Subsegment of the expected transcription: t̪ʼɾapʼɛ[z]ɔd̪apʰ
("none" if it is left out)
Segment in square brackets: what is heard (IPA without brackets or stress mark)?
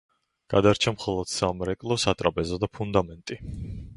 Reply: z